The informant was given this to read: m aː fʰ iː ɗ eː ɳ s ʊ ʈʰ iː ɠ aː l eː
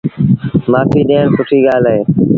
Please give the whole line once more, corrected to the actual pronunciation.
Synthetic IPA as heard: m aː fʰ iː ɗ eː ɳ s ʊ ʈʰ iː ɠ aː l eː

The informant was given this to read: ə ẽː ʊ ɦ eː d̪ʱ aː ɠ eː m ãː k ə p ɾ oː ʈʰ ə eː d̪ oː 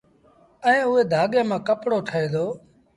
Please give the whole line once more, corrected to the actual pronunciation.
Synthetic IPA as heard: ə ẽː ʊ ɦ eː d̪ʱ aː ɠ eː m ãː k ə p ɽ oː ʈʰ ə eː d̪ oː

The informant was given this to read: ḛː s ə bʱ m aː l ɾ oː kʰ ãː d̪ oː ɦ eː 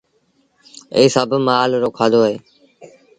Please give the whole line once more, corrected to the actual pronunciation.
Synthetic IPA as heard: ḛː s ə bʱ m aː l ɾ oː kʰ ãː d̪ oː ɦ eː

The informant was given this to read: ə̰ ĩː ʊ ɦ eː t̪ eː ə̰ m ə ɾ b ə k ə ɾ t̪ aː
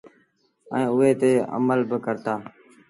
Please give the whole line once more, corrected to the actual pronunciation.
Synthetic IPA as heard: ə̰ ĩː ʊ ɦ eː t̪ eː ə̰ m ə l b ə k ə ɾ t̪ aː

